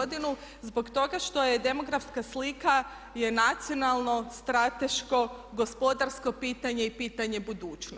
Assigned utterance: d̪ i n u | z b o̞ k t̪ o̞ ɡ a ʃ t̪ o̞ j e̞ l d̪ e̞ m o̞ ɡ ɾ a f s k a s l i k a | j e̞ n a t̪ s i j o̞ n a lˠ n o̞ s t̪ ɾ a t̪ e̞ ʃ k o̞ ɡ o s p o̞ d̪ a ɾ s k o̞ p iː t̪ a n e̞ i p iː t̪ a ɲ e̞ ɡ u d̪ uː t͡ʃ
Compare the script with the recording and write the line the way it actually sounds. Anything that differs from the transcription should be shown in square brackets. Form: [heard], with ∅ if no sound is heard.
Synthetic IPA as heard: d̪ i n u | z b o̞ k t̪ o̞ ɡ a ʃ t̪ o̞ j e̞ [∅] d̪ e̞ m o̞ ɡ ɾ a f s k a s l i k a | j e̞ n a t̪ s i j o̞ n a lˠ n o̞ s t̪ ɾ a t̪ e̞ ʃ k o̞ ɡ o s p o̞ d̪ a ɾ s k o̞ p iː t̪ a [ɲ] e̞ i p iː t̪ a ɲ e̞ [b] u d̪ uː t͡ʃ

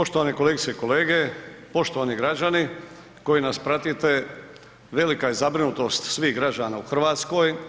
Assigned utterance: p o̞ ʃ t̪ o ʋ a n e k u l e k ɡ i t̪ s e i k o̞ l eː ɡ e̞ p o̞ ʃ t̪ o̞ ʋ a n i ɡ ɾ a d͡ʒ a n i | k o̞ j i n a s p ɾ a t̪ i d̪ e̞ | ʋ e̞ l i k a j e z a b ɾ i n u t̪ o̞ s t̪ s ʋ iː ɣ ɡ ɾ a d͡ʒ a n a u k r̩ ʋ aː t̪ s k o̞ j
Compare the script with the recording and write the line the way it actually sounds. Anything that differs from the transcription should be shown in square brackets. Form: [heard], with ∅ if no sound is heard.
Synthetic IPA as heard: p o̞ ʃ t̪ o ʋ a n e k [o] l e [∅] ɡ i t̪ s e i k o̞ l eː ɡ e̞ p o̞ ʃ t̪ o̞ ʋ a n i ɡ ɾ a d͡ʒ a n i | k o̞ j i n a s p ɾ a t̪ i [t̪] e̞ | ʋ e̞ l i k a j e z a b ɾ i n u t̪ o̞ s t̪ s ʋ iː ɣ ɡ ɾ a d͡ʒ a n a u [x] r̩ ʋ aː t̪ s k o̞ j

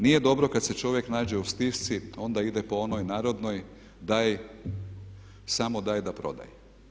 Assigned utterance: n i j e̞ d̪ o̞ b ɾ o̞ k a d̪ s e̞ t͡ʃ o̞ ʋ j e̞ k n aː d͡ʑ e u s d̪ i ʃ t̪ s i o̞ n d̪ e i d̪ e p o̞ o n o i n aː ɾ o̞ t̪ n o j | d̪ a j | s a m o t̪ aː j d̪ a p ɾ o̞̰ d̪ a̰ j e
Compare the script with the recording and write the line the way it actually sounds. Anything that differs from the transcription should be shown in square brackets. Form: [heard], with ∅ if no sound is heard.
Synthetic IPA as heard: n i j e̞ d̪ o̞ b ɾ o̞ k a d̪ s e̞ t͡ʃ o̞ ʋ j e̞ k n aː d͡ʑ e u s [t̪] i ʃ t̪ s i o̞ n d̪ [a] i d̪ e p o̞ o n o [j] n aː ɾ o̞ [d̪] n o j | d̪ a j | s a m o [d̪] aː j d̪ a p ɾ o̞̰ d̪ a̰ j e

